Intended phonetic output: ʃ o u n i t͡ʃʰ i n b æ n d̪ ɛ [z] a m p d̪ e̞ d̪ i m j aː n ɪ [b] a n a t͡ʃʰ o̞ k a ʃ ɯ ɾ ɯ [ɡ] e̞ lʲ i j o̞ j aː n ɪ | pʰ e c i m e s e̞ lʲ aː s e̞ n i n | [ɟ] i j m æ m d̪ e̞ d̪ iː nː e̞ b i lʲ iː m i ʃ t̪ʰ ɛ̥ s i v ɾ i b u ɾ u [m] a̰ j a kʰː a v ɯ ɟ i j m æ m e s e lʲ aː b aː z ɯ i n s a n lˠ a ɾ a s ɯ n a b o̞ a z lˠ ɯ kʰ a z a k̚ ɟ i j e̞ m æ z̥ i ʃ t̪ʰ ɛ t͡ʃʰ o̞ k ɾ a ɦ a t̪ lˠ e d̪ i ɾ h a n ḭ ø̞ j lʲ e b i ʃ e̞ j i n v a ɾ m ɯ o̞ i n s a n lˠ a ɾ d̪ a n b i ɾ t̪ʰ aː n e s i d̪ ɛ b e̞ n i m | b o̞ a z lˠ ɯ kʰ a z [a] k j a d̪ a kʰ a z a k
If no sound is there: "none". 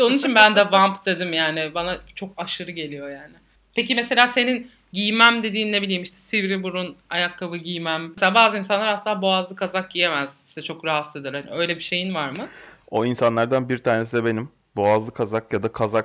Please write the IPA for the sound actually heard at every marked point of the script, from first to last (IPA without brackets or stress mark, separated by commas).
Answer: v, b, ɟ, ɟ, n, a